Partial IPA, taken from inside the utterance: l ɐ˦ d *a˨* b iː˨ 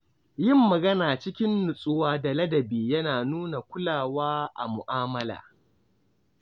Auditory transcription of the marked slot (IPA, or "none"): ɐ˨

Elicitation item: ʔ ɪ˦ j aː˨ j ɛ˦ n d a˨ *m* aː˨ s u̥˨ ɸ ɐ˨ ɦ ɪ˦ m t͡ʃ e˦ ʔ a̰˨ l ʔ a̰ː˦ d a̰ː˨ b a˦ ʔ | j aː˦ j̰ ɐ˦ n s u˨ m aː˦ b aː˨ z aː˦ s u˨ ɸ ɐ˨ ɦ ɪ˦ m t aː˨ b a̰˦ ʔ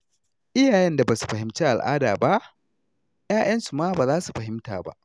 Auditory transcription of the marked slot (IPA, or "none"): b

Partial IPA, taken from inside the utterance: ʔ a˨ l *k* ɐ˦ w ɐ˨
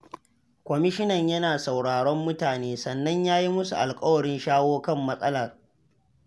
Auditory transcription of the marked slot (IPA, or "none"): kʼ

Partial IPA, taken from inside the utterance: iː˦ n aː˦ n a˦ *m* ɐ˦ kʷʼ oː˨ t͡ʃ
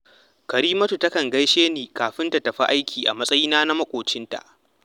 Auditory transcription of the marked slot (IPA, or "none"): m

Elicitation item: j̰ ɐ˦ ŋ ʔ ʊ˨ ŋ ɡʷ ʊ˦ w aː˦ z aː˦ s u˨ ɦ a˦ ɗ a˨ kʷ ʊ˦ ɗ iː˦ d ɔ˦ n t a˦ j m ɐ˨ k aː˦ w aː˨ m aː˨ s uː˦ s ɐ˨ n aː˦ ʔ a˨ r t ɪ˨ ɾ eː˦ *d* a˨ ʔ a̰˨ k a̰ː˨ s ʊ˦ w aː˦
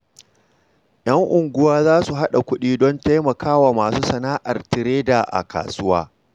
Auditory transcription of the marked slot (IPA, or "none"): d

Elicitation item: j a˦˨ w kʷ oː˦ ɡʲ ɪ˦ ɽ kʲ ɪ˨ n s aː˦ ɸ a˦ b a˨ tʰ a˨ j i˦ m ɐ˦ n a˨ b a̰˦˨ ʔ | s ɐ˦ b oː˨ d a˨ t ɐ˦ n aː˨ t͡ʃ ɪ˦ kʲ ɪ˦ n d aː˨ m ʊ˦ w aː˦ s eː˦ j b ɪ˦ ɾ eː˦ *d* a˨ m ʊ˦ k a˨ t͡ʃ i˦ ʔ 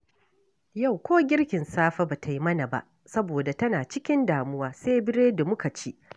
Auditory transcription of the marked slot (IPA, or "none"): d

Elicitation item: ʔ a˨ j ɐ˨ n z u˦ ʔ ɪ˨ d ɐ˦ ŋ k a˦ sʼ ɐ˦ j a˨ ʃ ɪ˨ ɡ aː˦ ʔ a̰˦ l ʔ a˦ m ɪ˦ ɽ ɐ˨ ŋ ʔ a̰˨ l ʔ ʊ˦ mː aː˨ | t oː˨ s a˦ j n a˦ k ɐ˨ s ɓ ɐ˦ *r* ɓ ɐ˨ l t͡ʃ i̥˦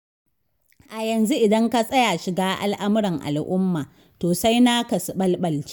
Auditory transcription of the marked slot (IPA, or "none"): l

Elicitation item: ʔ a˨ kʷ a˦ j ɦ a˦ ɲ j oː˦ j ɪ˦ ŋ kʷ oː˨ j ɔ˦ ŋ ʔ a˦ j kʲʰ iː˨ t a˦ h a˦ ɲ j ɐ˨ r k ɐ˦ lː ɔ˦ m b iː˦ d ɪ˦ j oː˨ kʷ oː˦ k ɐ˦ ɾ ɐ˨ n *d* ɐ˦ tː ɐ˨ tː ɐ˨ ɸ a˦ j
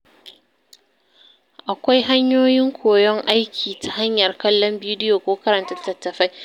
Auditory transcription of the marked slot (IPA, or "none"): t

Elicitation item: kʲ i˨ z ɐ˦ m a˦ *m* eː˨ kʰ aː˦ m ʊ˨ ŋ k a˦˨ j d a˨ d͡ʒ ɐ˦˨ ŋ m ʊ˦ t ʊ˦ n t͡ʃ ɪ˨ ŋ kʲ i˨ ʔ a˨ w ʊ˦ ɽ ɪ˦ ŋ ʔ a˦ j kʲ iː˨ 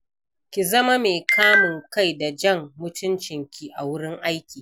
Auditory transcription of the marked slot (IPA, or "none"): m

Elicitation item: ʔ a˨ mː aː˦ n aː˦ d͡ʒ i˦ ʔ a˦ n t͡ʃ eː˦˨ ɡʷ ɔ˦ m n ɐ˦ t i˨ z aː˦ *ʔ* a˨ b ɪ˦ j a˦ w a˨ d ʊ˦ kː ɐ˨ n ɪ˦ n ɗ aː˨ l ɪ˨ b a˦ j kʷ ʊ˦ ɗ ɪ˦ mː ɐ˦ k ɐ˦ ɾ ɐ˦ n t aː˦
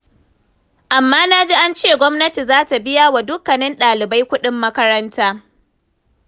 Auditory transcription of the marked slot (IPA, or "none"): t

